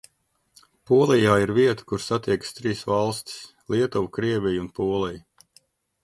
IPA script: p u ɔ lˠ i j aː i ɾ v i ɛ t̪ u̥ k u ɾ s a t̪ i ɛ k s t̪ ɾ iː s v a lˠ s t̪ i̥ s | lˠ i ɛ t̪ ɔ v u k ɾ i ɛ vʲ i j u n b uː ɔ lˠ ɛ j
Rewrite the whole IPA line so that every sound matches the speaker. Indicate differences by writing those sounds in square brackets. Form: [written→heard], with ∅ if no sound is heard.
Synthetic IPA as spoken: p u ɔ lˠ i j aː i ɾ v i ɛ t̪ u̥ k u ɾ s a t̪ i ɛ k s t̪ ɾ iː s v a lˠ s t̪ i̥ s | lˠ i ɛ t̪ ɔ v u k ɾ i ɛ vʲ i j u n [b→p] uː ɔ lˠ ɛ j